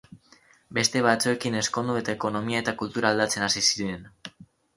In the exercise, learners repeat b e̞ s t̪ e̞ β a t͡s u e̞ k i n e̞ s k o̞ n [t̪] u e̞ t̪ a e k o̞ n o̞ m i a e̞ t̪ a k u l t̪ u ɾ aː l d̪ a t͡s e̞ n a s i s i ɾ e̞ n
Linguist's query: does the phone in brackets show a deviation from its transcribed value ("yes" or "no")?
yes